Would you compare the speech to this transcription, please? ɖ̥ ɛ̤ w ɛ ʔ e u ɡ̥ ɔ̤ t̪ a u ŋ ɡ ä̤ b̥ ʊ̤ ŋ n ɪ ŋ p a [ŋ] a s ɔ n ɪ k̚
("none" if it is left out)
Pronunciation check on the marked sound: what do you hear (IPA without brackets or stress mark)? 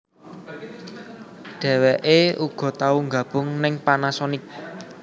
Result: n